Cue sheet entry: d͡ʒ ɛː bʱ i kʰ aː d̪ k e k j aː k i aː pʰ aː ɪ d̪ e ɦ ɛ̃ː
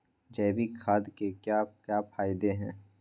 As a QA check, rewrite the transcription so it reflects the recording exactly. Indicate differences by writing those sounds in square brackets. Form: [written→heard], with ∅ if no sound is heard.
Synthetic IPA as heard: d͡ʒ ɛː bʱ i kʰ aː d̪ k e k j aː k [i→j] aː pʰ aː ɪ d̪ e ɦ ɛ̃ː